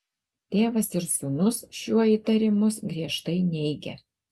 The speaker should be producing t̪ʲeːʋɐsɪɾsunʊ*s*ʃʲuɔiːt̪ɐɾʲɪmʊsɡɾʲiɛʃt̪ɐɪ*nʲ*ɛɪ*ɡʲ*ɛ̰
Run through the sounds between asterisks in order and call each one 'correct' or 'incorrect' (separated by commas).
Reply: correct, correct, correct